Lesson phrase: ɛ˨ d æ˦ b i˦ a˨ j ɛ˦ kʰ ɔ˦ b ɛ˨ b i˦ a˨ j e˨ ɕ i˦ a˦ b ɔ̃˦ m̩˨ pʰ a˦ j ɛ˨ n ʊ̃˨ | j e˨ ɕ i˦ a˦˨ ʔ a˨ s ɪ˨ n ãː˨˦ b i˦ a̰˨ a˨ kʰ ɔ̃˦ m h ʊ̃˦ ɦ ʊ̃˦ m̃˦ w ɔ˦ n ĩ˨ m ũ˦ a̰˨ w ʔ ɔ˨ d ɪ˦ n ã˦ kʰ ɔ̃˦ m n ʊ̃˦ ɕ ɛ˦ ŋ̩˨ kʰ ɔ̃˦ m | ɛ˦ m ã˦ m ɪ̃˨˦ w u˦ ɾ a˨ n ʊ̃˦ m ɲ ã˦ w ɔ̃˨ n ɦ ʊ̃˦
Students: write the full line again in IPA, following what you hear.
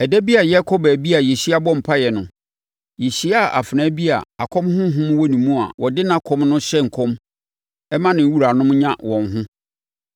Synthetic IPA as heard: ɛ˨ d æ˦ b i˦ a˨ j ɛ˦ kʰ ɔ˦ b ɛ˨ b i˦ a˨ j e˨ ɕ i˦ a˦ b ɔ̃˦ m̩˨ pʰ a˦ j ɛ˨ n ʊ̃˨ | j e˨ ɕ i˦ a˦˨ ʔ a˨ f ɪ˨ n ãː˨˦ b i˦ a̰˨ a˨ kʰ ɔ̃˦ m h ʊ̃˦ ɦ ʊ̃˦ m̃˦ w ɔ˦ n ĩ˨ m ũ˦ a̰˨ w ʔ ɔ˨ d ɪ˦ n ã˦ kʰ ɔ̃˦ m n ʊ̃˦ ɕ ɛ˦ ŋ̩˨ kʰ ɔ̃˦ m | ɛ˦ m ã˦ n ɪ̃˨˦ w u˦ ɾ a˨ n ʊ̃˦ m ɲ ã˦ w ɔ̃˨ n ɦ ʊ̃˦